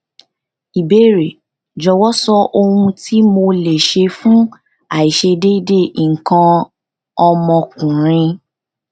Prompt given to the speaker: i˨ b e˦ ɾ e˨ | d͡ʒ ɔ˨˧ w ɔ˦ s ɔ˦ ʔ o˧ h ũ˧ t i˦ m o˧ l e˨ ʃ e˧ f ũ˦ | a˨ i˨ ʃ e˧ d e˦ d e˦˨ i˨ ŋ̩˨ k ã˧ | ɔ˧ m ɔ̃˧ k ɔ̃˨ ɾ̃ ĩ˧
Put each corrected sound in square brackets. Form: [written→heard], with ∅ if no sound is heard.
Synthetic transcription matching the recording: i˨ b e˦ ɾ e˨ | d͡ʒ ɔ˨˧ w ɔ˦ s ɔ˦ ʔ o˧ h ũ˧ t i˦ m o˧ l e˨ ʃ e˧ f ũ˦ | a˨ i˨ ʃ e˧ d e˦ d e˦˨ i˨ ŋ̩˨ k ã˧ | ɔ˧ m ɔ̃˧ k [ɔ̃˨→ũ˨] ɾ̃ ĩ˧

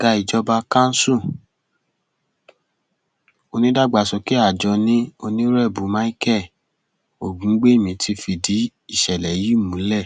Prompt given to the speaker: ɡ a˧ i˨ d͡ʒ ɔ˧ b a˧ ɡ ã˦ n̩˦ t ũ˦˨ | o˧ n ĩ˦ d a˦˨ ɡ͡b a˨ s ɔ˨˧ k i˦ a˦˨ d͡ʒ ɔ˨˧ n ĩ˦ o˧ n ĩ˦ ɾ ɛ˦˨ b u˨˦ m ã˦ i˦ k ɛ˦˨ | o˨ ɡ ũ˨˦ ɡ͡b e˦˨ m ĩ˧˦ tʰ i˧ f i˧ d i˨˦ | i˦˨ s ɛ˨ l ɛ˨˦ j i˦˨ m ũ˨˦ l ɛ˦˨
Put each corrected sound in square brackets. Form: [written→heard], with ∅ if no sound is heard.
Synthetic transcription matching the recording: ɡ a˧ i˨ d͡ʒ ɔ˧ b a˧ [ɡ→k] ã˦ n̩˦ [t→s] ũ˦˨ | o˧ n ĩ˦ d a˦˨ ɡ͡b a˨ s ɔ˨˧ k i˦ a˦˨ d͡ʒ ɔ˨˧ n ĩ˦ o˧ n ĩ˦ ɾ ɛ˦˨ b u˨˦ m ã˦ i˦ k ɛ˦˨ | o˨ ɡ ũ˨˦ ɡ͡b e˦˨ m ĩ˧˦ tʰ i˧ f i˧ d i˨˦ | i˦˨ [s→ʃ] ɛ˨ l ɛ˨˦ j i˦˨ m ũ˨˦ l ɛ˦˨

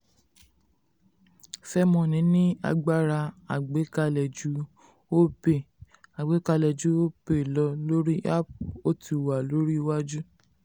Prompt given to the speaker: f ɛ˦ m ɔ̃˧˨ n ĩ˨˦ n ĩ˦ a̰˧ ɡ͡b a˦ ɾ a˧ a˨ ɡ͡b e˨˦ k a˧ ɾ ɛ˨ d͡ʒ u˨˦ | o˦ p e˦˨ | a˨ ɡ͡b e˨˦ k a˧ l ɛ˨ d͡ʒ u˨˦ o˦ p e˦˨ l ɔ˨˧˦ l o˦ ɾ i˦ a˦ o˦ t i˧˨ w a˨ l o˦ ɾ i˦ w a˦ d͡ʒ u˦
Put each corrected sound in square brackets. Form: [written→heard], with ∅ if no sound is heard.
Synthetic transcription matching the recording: f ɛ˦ m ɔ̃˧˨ n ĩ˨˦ n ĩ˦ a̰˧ ɡ͡b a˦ ɾ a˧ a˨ ɡ͡b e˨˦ k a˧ [ɾ→l] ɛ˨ d͡ʒ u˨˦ | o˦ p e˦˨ | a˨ ɡ͡b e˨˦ k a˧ l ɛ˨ d͡ʒ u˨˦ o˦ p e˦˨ l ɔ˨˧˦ l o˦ ɾ i˦ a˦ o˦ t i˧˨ w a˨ l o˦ ɾ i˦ w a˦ d͡ʒ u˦

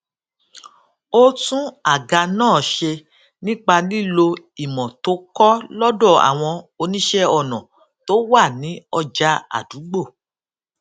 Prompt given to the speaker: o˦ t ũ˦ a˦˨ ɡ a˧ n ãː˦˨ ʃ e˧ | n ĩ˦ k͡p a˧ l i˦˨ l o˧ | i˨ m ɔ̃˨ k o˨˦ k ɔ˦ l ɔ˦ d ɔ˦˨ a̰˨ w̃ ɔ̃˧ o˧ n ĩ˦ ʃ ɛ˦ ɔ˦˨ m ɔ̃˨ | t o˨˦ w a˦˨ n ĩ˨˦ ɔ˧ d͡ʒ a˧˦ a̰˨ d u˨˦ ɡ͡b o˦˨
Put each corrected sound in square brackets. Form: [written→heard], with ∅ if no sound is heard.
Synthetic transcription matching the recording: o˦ t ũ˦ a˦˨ ɡ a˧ n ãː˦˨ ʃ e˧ | n ĩ˦ k͡p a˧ l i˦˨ l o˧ | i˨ m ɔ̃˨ [k→t] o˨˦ k ɔ˦ l ɔ˦ d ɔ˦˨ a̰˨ w̃ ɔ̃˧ o˧ n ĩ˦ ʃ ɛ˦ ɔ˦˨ [m→n] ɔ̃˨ | t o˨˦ w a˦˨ n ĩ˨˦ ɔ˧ d͡ʒ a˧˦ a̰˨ d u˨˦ ɡ͡b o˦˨

